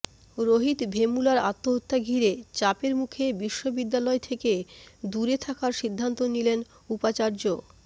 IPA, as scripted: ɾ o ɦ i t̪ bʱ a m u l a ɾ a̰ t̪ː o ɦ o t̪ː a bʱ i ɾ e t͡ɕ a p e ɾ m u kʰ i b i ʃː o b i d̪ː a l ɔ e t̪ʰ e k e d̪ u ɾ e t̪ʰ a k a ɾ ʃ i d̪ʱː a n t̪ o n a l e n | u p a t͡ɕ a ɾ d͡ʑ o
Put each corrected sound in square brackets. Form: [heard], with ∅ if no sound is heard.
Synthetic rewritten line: ɾ o ɦ i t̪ bʱ [e] m u l a ɾ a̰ t̪ː o ɦ o t̪ː a [ɡʱ] i ɾ e t͡ɕ a p e ɾ m u kʰ [e] b i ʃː o b i d̪ː a l ɔ e t̪ʰ e k e d̪ u ɾ e t̪ʰ a k a ɾ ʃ i d̪ʱː a n t̪ o n [i] l e n | u p a t͡ɕ a ɾ d͡ʑ o